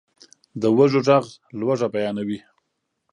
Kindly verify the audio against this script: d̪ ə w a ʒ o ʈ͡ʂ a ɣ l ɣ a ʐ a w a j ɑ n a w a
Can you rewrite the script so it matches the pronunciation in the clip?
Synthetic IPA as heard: d̪ ə w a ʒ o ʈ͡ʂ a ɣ l w a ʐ a b a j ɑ n a w i

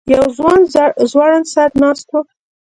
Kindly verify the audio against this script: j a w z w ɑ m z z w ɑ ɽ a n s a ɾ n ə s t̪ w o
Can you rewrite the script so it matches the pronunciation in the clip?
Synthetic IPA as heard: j a w z w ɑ n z z w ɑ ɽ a n s a ɾ n ɑ s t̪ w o

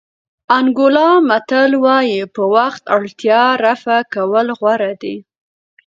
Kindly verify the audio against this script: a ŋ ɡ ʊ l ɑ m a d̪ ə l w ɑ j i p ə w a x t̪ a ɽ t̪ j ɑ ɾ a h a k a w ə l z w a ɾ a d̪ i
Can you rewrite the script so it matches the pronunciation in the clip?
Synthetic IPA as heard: a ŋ ɡ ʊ l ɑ m a t̪ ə l w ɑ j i p ə w a x t̪ a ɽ t̪ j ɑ ɾ a f a k a w ə l ɣ w a ɾ a d̪ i

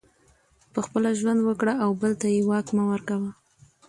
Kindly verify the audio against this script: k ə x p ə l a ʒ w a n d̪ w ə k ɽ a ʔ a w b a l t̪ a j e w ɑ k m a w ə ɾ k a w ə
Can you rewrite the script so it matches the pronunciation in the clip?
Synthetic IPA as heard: p ə x p ə l a ʒ w a n d̪ w ə k ɽ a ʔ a w b ə l t̪ a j e w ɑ k m a w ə ɾ k a w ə

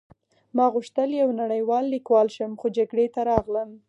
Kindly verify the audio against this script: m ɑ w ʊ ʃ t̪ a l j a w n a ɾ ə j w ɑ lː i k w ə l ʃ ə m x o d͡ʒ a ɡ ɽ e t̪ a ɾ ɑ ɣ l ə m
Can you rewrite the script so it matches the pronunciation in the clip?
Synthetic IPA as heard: m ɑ ɣ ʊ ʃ t̪ ə l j a w n a ɽ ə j w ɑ lː i k w ɑ l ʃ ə m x o d͡ʒ a ɡ ɽ e t̪ a ɾ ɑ ɣ l ə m

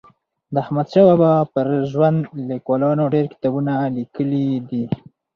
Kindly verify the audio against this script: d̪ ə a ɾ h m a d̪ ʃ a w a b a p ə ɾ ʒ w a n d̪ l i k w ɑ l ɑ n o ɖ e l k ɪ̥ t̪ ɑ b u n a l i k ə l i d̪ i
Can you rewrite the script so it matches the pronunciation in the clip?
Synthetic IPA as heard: d̪ ə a h m a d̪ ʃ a w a b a p ə ɾ ʒ w a n d̪ l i k w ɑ l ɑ n o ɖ e ɾ k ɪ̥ t̪ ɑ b u n a l i k ə l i d̪ i

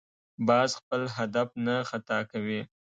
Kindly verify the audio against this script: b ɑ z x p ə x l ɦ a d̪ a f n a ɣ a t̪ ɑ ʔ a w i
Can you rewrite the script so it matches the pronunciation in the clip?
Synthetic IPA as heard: b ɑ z x p ə l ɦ a d̪ a f n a x a t̪ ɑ k a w i

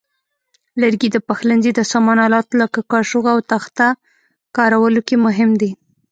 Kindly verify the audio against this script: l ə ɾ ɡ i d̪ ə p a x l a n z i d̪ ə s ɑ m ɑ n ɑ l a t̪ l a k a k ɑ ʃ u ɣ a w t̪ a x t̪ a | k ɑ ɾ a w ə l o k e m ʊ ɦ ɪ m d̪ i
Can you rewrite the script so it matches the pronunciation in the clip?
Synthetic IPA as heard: l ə ɾ ɡ i d̪ ə p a x l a n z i d̪ ə s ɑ m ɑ n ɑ l ɑ t̪ l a k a k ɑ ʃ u ɣ a w t̪ a x t̪ a | k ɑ ɾ a w ə l o k e m ʊ ɦ ɪ m d̪ i

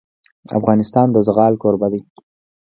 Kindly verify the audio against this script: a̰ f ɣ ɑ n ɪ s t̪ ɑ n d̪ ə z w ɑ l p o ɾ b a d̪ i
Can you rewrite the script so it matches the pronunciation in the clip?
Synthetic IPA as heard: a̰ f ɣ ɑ n ɪ s t̪ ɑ n d̪ ə z ɣ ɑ l k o ɾ b a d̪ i

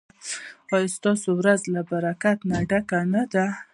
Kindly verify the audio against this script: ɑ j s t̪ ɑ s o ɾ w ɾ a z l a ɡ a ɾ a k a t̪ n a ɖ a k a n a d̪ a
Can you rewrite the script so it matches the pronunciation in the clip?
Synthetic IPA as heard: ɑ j s t̪ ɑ s o w ɾ a z l a b a ɾ a k a t̪ n a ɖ a k a n a d̪ a

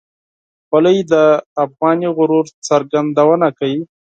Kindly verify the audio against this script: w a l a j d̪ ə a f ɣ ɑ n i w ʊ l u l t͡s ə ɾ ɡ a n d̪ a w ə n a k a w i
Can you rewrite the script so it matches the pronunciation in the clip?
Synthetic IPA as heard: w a l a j d̪ ə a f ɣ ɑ n i ɣ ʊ ɾ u ɾ t͡s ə ɾ ɡ a n d̪ a w ə n a k a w i

